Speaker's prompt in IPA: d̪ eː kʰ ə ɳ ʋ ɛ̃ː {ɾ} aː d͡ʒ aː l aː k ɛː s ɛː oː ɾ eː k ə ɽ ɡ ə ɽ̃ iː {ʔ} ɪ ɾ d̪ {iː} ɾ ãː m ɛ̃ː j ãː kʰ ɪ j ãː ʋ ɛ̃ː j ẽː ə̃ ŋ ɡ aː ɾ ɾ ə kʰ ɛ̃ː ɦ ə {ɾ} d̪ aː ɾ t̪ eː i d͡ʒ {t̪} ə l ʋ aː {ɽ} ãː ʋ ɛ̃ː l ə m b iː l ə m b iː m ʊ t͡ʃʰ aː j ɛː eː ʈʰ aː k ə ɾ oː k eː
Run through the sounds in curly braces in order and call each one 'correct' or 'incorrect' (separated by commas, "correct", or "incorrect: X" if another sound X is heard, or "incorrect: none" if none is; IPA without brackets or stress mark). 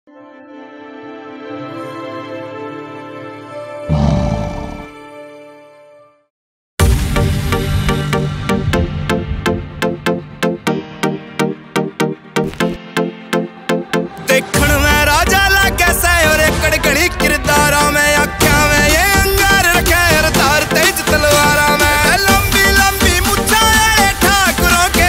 correct, incorrect: k, incorrect: aː, correct, correct, incorrect: ɾ